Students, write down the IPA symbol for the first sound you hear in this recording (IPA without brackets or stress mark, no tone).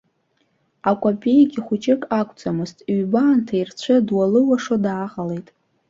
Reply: a